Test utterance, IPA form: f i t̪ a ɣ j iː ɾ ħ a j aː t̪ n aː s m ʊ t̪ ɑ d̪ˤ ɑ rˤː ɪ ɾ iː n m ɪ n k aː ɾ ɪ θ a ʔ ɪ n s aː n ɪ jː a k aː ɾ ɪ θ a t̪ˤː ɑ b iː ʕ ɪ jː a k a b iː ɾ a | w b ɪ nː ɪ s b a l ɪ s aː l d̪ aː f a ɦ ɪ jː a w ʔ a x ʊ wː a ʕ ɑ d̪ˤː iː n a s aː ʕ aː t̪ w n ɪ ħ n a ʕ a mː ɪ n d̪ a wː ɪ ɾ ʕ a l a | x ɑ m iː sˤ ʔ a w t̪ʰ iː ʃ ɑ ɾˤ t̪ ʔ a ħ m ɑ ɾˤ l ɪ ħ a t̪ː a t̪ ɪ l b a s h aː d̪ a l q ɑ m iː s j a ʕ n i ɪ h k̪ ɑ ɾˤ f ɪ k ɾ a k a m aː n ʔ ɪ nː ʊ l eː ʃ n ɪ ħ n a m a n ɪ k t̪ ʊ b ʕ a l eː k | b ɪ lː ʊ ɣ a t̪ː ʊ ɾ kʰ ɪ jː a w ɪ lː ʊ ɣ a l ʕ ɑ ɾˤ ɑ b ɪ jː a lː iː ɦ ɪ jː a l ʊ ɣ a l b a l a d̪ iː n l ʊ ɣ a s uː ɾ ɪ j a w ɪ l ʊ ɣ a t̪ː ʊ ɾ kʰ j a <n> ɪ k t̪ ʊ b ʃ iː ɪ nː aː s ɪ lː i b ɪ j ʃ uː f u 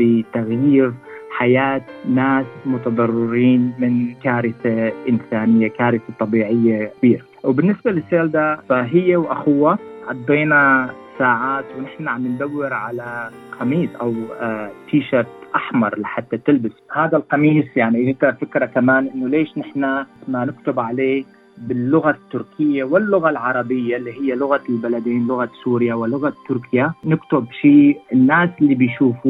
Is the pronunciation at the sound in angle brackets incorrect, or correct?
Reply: correct